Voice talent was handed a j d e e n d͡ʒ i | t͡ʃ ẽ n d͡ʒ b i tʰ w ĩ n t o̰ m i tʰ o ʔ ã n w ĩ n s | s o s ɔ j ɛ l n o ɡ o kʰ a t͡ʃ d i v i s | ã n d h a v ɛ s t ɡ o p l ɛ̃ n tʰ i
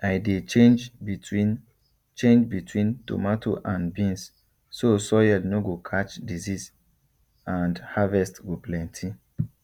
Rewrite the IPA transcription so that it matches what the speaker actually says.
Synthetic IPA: a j d e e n d͡ʒ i | t͡ʃ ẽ n d͡ʒ b i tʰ w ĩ n t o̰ m a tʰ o ʔ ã n b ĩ n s | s o s ɔ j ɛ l n o ɡ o kʰ a t͡ʃ d i z i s | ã n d h a v ɛ s t ɡ o p l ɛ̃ n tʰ i